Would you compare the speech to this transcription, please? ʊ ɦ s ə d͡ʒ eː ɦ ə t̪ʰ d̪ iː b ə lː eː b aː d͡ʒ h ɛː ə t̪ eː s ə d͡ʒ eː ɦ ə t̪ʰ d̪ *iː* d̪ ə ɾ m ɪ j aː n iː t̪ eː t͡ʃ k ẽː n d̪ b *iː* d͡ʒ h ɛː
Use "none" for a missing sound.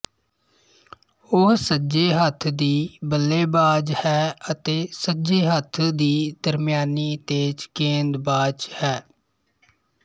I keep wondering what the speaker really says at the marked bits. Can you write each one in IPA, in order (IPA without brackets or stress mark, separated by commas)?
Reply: iː, aː